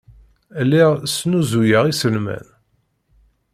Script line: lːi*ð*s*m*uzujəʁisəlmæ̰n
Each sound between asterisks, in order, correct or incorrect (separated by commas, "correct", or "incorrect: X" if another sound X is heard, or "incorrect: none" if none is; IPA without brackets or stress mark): incorrect: ʁ, incorrect: n